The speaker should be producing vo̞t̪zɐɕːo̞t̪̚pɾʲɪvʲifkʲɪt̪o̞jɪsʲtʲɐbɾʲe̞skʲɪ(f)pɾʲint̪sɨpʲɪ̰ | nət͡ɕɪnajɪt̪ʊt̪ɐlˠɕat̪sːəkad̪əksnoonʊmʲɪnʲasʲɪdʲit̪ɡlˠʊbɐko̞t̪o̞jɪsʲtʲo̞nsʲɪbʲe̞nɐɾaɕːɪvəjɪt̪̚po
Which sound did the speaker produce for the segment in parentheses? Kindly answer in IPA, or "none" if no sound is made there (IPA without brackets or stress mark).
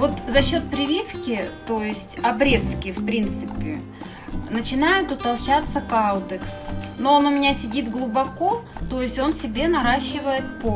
f